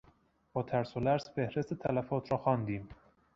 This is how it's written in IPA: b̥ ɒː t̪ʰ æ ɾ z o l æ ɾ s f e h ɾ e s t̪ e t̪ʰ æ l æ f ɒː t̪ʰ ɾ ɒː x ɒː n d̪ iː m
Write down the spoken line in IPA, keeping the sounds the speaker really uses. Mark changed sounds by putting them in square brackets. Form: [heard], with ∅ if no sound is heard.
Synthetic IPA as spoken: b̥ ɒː t̪ʰ æ ɾ [s] o l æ ɾ s f e h ɾ e s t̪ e t̪ʰ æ l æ f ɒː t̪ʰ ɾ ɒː x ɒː n d̪ iː m